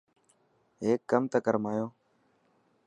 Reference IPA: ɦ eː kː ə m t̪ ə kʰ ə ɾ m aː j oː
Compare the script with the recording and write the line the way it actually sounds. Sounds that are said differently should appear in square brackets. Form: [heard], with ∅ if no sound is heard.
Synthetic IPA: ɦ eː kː ə m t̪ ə [k] ə ɾ m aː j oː